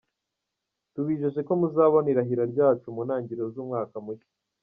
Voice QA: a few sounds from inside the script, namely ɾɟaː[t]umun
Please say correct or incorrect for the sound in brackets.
incorrect: t͡ʃ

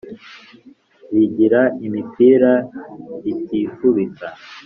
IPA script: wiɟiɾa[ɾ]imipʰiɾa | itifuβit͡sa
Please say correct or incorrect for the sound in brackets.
incorrect: none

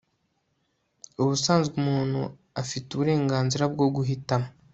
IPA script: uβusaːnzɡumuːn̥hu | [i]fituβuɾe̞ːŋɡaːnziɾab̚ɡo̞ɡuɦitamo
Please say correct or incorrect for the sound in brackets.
incorrect: a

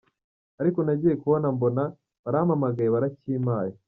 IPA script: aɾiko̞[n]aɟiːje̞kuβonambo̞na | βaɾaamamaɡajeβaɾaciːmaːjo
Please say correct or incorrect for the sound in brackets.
correct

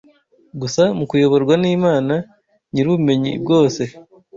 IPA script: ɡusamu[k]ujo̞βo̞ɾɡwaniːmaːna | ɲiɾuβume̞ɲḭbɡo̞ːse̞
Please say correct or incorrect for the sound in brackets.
correct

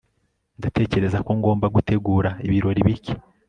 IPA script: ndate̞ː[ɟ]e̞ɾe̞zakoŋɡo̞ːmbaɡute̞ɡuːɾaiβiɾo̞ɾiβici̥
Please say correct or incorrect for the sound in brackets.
incorrect: c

